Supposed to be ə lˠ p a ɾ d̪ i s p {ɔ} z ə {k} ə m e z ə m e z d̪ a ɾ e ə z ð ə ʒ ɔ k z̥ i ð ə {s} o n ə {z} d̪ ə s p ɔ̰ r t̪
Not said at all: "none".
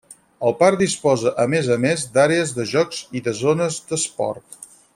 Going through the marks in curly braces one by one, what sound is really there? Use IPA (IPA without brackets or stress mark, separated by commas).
ɔ, ʔ, z, z